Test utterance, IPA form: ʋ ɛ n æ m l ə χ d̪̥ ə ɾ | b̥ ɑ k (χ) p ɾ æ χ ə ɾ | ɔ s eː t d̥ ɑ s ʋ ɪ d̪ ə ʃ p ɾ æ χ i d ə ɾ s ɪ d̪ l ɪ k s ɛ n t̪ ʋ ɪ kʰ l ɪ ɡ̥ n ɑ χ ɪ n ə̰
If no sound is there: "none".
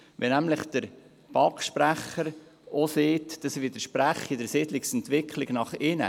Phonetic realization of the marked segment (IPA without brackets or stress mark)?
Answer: ʃ